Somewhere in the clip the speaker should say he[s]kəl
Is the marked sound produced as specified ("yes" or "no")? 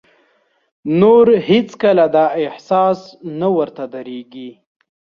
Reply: no